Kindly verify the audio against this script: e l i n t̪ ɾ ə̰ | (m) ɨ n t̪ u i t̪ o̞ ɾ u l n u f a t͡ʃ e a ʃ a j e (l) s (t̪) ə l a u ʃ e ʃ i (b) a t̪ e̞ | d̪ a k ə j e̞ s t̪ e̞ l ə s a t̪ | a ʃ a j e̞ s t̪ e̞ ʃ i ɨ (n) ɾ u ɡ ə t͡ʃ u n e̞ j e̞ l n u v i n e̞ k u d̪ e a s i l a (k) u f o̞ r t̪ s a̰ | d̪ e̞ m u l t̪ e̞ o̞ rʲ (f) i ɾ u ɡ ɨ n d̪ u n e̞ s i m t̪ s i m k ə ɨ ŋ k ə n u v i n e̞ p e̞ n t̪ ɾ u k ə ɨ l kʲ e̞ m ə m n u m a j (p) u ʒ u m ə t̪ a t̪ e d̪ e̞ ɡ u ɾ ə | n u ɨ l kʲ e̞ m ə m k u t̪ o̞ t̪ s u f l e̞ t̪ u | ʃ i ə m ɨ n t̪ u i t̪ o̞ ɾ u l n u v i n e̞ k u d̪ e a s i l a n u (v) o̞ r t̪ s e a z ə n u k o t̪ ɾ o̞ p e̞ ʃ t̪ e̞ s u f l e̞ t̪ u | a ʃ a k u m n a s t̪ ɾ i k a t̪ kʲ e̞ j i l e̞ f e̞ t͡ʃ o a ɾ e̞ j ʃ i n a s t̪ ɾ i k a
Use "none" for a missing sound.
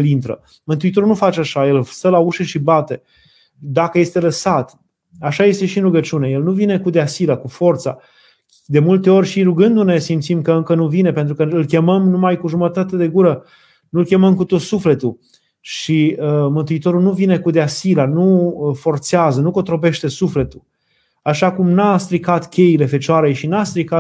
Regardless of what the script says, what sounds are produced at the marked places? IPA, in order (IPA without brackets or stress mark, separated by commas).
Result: m, l, t̪, b, n, k, ʃ, k, f